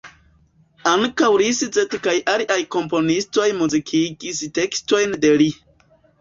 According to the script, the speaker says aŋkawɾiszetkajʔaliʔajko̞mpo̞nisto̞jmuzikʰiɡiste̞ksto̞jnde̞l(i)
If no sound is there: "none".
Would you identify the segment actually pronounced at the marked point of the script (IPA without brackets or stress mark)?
i